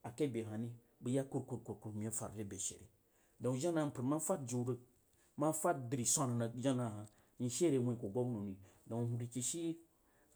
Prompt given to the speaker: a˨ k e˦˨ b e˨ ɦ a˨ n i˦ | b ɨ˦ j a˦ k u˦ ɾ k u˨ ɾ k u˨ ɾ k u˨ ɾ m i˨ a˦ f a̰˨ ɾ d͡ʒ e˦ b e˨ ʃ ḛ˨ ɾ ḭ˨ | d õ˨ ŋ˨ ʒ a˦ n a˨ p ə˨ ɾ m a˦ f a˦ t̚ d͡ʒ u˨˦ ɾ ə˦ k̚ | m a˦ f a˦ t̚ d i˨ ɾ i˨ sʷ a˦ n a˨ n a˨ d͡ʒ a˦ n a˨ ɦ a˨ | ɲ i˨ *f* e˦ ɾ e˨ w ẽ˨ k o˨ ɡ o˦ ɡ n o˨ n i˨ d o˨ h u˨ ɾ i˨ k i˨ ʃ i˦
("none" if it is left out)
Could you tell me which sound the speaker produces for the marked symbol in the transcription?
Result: ʃ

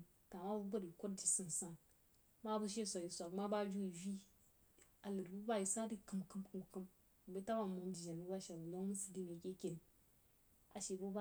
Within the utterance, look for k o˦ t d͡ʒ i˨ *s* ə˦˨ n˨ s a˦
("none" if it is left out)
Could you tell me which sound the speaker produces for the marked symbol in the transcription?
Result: s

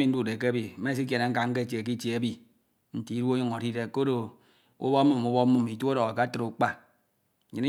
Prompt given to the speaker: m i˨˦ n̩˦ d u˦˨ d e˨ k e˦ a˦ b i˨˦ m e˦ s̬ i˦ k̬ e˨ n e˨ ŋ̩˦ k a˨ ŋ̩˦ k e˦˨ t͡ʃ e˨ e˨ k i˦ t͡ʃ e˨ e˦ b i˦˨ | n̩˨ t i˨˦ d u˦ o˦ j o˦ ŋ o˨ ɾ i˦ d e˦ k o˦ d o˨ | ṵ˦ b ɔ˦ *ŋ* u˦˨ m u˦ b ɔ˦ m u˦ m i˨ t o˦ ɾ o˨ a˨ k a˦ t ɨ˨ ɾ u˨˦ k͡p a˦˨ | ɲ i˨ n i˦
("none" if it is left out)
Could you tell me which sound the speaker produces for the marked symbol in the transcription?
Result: m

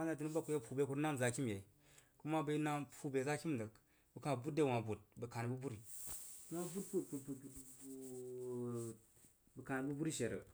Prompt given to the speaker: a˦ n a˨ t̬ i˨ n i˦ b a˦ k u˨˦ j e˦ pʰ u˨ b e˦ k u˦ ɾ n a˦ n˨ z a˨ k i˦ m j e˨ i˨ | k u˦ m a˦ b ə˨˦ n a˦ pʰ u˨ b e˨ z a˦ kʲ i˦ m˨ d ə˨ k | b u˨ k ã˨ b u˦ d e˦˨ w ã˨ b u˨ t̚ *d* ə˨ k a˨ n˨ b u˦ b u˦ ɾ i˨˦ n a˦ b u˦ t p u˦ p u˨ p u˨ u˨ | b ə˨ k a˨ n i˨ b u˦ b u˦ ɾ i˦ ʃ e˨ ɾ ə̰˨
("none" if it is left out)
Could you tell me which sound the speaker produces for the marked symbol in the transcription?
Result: b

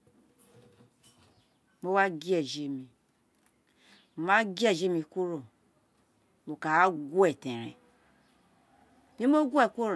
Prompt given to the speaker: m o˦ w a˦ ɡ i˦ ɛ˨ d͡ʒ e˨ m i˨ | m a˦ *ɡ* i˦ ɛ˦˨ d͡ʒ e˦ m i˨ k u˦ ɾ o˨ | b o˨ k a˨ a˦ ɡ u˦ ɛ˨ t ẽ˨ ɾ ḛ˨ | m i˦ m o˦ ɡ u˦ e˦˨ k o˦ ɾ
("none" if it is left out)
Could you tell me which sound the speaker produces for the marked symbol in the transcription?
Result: ɡ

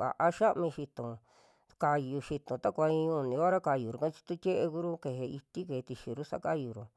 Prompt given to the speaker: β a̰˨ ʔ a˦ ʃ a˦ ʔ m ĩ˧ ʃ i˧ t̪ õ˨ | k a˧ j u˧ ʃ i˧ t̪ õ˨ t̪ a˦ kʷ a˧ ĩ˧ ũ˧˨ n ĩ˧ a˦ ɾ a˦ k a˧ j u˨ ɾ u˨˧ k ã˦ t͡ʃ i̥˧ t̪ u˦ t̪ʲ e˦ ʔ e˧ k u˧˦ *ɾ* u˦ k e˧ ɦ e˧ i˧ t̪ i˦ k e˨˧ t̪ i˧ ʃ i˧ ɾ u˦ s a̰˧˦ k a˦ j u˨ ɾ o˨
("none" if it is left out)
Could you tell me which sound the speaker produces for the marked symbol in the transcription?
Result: ɾ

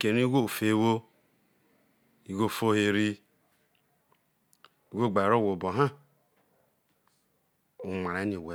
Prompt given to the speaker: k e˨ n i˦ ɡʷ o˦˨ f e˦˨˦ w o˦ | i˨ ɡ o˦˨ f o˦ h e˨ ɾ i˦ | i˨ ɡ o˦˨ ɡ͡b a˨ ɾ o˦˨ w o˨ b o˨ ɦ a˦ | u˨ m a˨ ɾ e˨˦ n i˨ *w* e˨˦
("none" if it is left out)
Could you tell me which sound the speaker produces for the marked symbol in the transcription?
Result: w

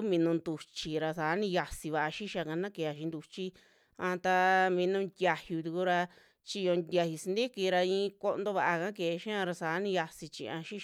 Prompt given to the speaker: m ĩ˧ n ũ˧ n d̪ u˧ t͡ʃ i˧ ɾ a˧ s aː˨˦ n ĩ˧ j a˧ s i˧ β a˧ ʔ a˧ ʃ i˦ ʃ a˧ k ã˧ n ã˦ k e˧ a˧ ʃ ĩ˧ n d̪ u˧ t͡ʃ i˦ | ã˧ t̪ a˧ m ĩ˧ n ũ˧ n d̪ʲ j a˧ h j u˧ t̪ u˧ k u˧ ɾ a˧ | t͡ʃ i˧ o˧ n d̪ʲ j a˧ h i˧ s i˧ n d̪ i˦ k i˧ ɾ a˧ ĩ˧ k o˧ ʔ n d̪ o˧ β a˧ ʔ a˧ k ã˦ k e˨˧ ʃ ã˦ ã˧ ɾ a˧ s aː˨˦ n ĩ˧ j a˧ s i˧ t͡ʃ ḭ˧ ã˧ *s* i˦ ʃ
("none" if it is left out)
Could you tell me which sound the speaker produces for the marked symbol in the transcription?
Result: ʃ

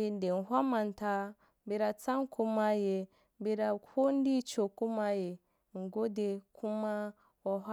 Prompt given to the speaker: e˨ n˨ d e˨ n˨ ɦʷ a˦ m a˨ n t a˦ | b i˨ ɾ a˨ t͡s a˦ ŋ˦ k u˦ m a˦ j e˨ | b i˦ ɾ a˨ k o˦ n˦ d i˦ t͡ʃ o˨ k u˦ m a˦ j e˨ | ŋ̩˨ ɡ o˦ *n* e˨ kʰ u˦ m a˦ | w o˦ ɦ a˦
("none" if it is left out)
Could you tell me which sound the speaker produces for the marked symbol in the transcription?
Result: d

